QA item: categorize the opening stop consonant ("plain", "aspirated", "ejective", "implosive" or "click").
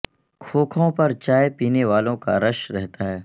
aspirated